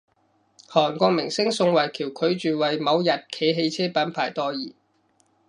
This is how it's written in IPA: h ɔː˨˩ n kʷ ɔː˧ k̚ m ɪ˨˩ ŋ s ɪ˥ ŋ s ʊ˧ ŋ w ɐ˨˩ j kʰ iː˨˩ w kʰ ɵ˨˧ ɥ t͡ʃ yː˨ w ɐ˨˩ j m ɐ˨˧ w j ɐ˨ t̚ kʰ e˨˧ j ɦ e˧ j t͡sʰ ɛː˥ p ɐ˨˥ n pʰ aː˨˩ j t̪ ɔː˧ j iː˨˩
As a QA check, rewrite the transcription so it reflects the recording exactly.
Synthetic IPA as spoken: h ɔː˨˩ n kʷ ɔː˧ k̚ m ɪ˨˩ ŋ s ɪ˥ ŋ s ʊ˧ ŋ w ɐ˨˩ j kʰ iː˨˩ w kʰ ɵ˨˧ ɥ t͡ʃ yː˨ w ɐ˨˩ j m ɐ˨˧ w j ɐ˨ t̚ kʰ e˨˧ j ɦ e˧ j t͡sʰ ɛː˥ p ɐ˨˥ n pʰ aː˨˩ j t̪ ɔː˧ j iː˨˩